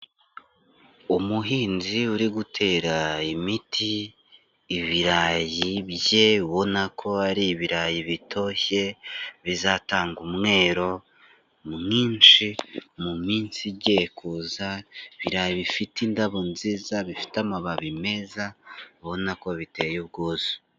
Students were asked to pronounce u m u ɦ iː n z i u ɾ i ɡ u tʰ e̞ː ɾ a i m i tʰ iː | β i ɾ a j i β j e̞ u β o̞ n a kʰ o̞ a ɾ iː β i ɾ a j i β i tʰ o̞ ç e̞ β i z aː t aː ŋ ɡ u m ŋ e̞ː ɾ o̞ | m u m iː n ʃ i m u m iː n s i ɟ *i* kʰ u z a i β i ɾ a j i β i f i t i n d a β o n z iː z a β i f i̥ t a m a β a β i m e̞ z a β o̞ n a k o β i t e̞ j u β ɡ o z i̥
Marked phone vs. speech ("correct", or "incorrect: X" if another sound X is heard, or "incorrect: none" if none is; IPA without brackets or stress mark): incorrect: e